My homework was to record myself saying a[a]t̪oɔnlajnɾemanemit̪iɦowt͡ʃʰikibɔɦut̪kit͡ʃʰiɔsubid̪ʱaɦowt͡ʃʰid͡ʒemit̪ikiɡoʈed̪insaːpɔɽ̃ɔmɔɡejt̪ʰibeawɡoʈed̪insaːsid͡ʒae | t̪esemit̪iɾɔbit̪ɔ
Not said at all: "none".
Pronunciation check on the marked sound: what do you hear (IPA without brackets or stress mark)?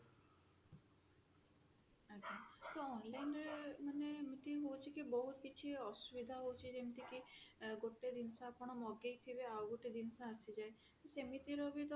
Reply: a